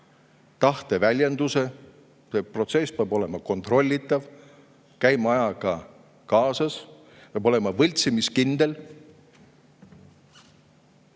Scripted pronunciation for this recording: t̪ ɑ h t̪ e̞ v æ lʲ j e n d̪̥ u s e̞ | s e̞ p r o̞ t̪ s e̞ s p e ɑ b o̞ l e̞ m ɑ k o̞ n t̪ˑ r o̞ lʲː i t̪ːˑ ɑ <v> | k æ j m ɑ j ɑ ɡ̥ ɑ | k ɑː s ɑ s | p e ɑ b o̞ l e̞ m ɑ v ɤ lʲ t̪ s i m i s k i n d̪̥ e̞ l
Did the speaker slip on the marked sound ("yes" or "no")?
no